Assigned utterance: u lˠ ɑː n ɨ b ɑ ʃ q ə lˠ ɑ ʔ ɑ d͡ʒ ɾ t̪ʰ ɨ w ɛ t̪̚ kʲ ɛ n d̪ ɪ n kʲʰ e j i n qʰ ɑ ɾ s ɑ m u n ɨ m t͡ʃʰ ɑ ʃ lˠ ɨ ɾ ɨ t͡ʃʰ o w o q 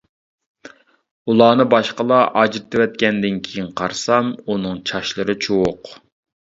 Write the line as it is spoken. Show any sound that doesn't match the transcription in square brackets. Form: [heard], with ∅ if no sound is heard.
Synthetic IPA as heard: u lˠ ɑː n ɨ b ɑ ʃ q ə lˠ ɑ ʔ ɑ d͡ʒ ɾ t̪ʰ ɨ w ɛ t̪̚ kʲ ɛ n d̪ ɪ n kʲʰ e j i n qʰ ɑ ɾ s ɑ m u n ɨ [ŋ] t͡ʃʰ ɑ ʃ lˠ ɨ ɾ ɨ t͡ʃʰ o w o q